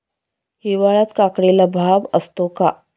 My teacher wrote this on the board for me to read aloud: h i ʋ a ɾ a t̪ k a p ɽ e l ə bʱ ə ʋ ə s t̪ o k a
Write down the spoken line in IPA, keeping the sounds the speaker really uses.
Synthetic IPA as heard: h i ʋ a ɭ a t̪ k a k ɽ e l a bʱ a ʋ ə s t̪ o k a